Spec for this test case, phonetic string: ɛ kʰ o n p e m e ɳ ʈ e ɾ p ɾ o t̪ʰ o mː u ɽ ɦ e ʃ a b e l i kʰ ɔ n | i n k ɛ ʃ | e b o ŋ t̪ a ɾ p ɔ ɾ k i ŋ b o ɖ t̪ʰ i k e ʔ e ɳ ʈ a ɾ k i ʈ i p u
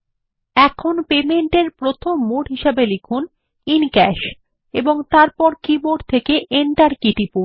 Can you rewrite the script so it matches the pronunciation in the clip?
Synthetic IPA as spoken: ɛ kʰ o n p e m e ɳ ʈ e ɾ p ɾ o t̪ʰ o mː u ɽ ɦ i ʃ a b e l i kʰ u n | i n k ɛ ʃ | e b o ŋ t̪ a ɾ p ɔ ɾ k i b o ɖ t̪ʰ e k e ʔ e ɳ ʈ a ɾ k i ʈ i p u